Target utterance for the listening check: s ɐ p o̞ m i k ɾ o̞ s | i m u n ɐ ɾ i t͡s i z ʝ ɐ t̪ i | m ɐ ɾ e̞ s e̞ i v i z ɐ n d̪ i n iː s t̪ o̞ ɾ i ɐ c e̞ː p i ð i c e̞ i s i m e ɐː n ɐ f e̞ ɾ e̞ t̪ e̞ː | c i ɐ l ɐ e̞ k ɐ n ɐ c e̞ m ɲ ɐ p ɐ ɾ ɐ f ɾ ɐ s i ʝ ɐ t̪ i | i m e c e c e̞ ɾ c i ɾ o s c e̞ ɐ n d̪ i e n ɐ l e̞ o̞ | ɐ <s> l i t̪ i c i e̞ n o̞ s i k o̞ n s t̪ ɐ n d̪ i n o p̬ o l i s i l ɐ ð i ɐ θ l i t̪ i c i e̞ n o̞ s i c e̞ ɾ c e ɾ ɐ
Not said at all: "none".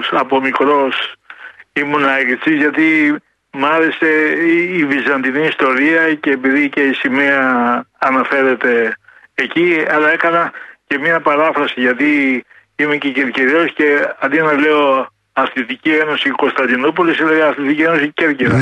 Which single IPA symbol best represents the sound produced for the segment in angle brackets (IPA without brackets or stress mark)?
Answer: θ